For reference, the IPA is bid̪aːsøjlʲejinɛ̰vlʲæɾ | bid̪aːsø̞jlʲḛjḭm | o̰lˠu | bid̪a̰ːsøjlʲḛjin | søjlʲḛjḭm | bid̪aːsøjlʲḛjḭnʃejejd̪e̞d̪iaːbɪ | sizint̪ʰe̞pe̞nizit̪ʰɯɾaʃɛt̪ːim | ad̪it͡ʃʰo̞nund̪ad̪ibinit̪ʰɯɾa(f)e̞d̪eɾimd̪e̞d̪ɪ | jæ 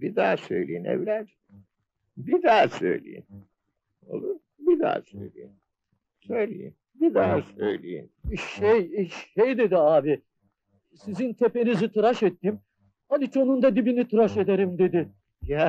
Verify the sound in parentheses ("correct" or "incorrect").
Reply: incorrect